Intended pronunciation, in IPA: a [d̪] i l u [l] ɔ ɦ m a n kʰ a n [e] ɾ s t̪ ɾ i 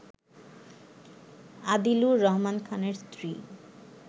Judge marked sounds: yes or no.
yes, no, yes

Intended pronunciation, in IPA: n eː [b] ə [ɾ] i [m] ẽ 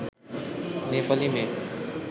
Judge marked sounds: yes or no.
no, no, yes

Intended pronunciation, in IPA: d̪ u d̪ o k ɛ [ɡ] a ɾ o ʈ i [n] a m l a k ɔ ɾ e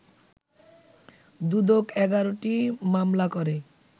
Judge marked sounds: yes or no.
yes, no

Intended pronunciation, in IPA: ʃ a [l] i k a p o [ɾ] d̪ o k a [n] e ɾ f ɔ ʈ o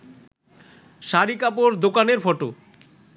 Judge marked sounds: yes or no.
no, yes, yes

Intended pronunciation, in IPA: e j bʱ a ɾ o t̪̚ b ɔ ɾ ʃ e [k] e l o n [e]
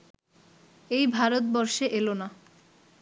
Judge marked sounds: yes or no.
no, no

